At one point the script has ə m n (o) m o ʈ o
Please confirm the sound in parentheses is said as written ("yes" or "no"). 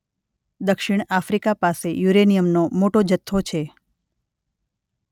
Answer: yes